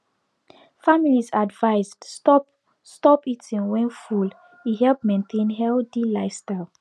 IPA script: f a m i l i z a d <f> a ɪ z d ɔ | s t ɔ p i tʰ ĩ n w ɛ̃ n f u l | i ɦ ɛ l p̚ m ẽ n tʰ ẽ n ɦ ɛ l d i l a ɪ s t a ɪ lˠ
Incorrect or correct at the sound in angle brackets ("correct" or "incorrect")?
incorrect